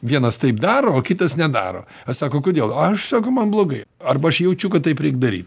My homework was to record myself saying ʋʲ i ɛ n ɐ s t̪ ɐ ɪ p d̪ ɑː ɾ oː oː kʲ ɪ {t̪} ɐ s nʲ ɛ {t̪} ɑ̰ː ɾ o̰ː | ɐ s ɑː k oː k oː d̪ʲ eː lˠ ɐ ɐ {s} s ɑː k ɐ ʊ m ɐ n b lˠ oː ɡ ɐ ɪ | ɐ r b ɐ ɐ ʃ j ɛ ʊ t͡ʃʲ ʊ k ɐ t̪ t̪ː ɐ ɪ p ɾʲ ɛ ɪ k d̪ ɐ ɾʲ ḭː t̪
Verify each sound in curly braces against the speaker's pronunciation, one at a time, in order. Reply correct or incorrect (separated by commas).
correct, incorrect, incorrect